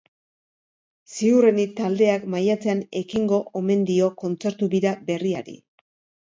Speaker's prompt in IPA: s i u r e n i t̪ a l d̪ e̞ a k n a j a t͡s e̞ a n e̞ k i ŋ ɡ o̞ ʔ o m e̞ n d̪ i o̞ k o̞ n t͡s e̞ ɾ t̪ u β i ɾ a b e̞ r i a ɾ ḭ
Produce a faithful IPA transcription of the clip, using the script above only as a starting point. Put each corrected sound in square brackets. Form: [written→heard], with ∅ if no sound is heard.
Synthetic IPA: s i u r e n i t̪ a l d̪ e̞ a k [n→m] a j a t͡s e̞ a n e̞ k i ŋ ɡ o̞ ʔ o m e̞ n d̪ i o̞ k o̞ n t͡s e̞ ɾ t̪ u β i ɾ a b e̞ r i a ɾ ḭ